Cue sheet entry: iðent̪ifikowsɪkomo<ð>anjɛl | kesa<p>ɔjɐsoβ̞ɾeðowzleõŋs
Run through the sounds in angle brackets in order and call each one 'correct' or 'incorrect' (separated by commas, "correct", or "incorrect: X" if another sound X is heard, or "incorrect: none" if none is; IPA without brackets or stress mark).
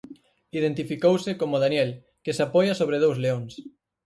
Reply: correct, correct